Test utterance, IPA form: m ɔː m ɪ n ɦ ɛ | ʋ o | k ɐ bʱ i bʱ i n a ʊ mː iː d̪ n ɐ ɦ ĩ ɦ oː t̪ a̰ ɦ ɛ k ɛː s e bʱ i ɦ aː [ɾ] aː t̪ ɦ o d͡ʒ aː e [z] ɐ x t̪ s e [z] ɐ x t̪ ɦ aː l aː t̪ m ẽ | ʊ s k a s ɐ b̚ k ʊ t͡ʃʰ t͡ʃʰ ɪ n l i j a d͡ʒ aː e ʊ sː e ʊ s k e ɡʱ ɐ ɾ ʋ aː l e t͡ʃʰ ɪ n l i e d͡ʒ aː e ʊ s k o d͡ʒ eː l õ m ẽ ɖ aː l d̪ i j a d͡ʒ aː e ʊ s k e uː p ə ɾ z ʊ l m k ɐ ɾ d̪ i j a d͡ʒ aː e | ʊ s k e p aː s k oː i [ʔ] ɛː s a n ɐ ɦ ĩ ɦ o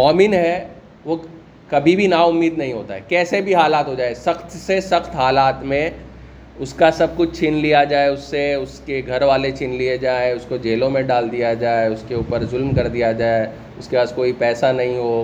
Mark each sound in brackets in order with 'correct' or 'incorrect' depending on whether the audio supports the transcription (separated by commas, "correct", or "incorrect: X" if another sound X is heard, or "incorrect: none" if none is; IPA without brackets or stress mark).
incorrect: l, incorrect: s, incorrect: s, incorrect: p